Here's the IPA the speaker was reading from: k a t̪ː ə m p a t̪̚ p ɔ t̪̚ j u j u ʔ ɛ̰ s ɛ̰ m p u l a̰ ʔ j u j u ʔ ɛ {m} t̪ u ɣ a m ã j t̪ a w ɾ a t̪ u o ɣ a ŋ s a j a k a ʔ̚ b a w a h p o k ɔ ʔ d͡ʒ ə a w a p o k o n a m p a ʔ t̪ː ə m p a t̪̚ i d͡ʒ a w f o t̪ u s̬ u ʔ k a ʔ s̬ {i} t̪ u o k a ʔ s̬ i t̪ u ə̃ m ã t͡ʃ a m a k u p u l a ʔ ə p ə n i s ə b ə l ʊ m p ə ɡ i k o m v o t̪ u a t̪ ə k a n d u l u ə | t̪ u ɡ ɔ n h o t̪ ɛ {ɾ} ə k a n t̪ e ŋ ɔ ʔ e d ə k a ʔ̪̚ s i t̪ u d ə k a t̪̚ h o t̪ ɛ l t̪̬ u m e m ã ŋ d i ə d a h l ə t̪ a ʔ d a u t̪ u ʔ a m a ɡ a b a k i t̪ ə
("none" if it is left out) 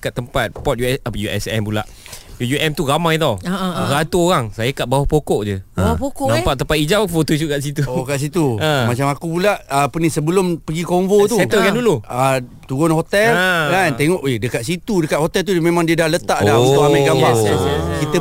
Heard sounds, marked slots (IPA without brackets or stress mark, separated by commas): m, i, l